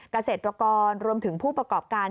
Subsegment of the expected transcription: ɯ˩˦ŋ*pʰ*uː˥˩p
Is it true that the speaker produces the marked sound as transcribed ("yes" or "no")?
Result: yes